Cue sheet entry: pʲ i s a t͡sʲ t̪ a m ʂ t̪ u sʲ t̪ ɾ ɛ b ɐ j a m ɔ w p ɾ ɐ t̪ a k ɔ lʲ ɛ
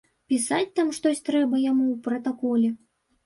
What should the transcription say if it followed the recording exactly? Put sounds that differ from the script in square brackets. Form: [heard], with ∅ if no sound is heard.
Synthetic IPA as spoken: pʲ i s a t͡sʲ t̪ a m ʂ t̪ [ɔ] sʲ t̪ ɾ ɛ b ɐ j a m [u] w p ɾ ɐ t̪ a k ɔ lʲ ɛ